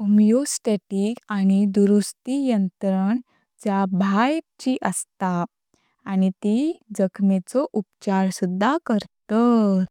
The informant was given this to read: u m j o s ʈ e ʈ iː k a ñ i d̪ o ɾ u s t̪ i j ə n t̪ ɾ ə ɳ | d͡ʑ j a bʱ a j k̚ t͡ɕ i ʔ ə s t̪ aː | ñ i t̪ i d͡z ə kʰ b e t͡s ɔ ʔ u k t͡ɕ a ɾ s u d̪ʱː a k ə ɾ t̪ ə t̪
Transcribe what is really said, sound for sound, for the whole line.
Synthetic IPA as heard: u m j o s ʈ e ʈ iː k a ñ i d̪ u ɾ u s t̪ i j ə n t̪ ɾ ə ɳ | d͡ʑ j a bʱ a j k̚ t͡ɕ i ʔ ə s t̪ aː | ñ i t̪ i d͡z ə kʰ m e t͡s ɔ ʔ u p t͡ɕ a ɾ s u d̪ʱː a k ə ɾ t̪ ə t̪